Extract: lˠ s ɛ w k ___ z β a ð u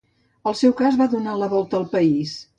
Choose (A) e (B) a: B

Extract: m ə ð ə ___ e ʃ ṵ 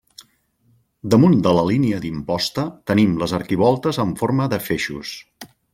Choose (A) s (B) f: B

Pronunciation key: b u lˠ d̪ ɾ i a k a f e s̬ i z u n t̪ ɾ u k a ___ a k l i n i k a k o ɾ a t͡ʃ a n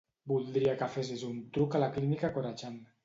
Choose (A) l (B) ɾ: A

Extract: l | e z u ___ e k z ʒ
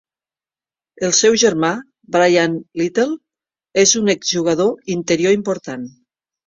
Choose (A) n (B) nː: A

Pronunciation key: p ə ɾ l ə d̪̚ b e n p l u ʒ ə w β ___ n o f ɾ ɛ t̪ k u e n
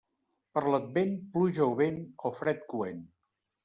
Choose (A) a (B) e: B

